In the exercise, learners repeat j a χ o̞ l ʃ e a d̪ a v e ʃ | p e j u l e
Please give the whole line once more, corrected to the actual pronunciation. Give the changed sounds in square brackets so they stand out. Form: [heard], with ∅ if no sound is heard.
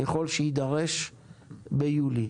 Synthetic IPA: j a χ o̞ l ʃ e [i] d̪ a [ʁ] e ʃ | [b] e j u l [i]